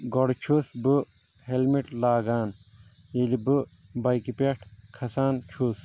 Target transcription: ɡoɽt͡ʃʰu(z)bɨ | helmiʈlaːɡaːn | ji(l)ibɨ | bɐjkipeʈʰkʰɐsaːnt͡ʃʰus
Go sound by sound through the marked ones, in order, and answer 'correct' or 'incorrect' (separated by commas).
incorrect, correct